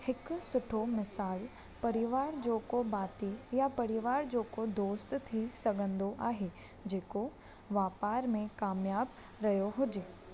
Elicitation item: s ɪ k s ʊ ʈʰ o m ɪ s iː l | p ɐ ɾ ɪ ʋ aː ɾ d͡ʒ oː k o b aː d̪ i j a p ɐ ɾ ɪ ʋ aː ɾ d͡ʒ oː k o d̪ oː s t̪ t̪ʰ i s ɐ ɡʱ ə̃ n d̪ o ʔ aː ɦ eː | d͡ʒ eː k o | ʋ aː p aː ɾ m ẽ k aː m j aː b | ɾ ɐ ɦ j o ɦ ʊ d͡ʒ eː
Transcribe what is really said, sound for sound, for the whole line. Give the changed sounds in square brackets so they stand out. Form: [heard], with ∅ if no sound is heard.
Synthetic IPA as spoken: [h] ɪ k s ʊ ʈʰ o m ɪ s [aː] l | p ɐ ɾ ɪ ʋ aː ɾ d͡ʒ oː k o b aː [t̪] i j a p ɐ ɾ ɪ ʋ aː ɾ d͡ʒ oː k o d̪ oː s t̪ t̪ʰ i s ɐ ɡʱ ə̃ n d̪ o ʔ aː ɦ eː | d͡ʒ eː k o | ʋ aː p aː ɾ m ẽ k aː m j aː b | ɾ ɐ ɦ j o ɦ ʊ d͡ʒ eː